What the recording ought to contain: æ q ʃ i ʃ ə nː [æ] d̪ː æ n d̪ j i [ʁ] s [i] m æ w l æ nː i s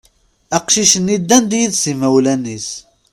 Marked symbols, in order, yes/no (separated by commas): no, no, yes